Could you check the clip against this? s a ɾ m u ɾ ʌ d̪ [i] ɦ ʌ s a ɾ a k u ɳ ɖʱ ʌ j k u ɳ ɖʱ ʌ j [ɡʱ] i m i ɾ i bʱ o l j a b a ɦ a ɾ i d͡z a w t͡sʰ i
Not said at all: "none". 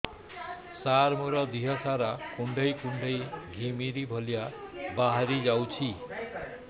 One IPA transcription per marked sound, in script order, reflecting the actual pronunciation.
i, ɡʱ

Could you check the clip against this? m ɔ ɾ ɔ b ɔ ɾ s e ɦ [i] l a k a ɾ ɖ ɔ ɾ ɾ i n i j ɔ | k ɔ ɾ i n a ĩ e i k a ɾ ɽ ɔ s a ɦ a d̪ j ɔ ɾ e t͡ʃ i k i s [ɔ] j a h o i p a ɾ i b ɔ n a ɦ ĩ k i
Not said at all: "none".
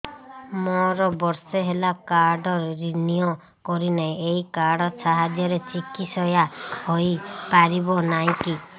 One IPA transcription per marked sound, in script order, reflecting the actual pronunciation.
e, ɔ

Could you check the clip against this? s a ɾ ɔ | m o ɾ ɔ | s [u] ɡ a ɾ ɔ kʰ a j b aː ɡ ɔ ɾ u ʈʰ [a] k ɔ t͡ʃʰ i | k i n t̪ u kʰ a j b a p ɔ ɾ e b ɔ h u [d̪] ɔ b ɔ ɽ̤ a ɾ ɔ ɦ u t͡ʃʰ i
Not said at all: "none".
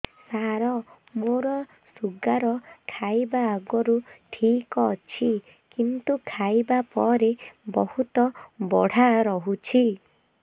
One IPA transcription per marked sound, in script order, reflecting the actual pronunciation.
u, i, t̪

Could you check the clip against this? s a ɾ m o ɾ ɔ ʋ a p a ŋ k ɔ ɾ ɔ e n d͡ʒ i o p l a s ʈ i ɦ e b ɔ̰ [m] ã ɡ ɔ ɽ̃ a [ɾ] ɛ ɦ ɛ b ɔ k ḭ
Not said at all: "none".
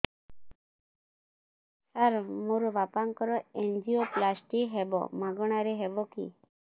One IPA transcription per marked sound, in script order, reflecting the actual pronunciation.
m, ɾ

